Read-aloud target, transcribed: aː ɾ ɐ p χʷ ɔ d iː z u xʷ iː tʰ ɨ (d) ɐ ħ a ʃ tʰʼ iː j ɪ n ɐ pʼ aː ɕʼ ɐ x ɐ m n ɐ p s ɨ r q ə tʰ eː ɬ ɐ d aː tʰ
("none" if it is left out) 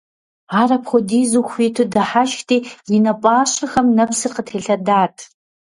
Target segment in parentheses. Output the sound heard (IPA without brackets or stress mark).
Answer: d